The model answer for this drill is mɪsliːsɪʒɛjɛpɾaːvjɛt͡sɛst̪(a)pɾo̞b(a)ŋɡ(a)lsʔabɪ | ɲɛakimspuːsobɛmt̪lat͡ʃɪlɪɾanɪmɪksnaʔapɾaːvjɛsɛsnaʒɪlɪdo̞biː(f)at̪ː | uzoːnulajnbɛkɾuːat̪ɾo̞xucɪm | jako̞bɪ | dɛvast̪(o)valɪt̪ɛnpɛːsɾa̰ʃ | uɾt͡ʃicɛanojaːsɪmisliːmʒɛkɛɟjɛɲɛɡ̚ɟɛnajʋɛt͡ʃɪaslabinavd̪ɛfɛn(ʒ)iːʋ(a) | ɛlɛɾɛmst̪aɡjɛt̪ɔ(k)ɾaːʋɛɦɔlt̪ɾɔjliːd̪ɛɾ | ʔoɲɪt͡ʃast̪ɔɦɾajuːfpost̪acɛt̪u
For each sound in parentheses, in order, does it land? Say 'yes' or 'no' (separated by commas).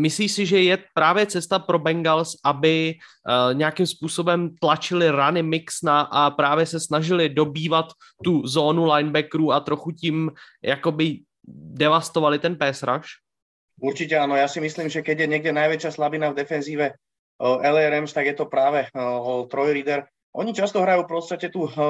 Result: yes, no, yes, no, yes, no, no, no